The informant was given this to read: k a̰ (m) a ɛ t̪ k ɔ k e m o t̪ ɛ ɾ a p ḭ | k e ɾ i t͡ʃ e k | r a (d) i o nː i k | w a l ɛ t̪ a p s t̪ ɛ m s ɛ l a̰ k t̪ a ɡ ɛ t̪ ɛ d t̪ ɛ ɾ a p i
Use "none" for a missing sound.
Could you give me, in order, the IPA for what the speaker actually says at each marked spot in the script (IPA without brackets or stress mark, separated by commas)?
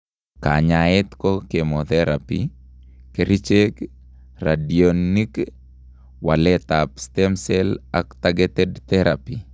ɲ, d